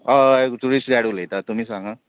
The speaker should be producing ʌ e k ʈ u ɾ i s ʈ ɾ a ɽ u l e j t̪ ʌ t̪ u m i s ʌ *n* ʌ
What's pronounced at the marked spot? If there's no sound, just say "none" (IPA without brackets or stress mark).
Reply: ŋ